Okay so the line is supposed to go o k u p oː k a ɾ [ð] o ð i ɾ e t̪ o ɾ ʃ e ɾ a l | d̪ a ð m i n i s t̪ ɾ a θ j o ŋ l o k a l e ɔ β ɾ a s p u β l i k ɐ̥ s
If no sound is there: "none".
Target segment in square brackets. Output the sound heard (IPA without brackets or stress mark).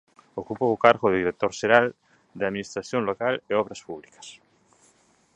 ɣ